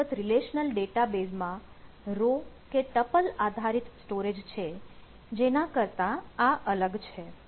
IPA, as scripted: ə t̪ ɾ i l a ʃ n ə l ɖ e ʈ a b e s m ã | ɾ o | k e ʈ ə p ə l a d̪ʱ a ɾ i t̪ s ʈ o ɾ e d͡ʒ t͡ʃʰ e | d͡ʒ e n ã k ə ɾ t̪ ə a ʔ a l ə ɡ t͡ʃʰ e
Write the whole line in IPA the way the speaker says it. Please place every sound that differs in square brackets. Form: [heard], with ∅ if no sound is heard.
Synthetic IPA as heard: ə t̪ ɾ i l [e] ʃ n ə l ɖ e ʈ a b e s m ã | ɾ o | k e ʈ ə p ə l a d̪ʱ a ɾ i t̪ s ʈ o ɾ e d͡ʒ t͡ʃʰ e | d͡ʒ e n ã k ə ɾ t̪ [a] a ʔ [ə] l ə ɡ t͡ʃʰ e